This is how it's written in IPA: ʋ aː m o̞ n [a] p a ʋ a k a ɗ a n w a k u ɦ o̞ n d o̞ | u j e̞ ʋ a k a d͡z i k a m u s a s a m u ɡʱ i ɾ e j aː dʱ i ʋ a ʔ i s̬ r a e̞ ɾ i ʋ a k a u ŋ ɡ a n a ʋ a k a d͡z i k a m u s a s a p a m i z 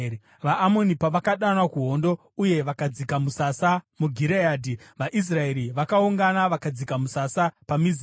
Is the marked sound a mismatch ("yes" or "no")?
yes